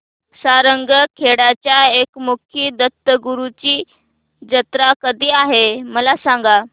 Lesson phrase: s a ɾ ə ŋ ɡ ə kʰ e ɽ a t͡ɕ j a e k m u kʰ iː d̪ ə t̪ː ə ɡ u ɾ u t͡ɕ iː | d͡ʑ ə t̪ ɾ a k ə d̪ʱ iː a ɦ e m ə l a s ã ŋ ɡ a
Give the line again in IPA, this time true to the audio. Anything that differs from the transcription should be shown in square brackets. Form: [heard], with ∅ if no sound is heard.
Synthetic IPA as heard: s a ɾ ə ŋ ɡ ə kʰ e ɽ a t͡ɕ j a e k m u kʰ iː d̪ ə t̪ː ə ɡ u ɾ u t͡ɕ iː | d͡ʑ ə t̪ ɾ a k ə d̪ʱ iː a ɦ e m ə l a s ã ŋ ɡ a